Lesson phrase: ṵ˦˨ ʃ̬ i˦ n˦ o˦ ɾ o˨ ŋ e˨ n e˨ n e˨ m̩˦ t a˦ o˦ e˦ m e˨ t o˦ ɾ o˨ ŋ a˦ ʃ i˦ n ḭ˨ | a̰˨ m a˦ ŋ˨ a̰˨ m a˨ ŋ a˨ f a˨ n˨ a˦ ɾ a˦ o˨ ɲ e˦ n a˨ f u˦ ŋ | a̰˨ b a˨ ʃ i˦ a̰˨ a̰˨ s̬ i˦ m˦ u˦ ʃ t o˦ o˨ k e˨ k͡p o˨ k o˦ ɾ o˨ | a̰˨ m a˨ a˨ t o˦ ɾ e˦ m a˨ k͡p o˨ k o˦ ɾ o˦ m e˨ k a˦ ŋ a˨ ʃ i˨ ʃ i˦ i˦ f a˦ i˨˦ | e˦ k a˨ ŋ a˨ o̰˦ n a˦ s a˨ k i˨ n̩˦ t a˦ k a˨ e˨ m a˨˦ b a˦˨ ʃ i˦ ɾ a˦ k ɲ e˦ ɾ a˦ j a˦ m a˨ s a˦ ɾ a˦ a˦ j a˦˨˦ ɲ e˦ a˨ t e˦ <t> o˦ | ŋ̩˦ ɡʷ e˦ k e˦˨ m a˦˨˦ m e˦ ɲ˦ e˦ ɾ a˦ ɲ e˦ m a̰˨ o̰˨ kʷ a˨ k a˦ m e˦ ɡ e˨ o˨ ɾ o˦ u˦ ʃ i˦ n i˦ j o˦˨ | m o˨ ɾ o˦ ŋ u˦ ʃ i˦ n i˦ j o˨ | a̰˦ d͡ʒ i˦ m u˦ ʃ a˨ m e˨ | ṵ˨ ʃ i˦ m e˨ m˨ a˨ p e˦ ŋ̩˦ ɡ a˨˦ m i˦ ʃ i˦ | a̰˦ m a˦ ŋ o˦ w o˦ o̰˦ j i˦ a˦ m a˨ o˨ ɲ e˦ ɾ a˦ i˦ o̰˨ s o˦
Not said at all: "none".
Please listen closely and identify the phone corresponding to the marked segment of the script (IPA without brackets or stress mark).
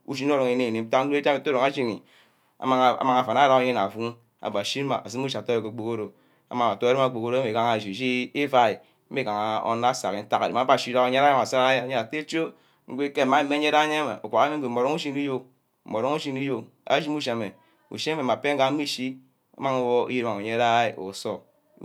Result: t͡ʃ